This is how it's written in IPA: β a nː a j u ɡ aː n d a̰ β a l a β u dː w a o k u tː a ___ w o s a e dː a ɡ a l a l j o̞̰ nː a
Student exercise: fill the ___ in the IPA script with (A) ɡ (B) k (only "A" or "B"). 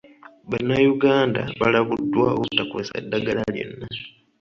B